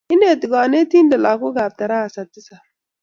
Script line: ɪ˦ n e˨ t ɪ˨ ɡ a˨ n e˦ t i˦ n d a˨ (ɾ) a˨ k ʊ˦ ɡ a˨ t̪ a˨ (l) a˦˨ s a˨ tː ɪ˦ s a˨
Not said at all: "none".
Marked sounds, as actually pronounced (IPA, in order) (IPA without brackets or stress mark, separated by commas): l, ɾ